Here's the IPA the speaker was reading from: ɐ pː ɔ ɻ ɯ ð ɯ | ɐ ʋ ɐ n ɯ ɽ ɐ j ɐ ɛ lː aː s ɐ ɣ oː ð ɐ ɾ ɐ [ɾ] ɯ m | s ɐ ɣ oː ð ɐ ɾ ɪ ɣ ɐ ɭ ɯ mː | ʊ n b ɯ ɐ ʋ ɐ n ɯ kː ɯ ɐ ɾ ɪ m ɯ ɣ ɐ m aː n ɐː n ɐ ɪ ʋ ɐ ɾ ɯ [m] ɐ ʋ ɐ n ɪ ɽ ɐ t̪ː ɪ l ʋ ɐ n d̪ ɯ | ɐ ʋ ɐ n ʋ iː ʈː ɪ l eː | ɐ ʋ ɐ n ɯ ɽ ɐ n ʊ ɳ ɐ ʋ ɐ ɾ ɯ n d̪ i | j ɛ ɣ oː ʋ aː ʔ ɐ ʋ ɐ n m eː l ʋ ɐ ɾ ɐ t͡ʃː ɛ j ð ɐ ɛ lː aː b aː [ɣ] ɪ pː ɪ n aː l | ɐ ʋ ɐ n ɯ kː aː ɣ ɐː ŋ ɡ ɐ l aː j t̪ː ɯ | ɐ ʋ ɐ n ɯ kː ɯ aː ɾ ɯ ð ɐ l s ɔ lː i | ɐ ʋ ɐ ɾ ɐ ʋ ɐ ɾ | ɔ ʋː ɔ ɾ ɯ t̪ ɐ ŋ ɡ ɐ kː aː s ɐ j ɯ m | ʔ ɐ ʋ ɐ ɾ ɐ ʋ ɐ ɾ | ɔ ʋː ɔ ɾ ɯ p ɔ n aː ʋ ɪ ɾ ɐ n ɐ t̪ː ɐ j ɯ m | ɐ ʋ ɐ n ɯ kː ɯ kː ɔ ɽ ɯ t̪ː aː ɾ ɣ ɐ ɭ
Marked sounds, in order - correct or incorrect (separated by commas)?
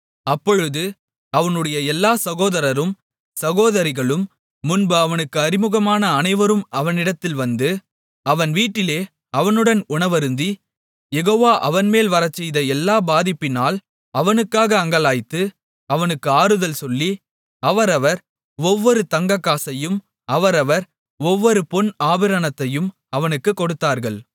correct, correct, incorrect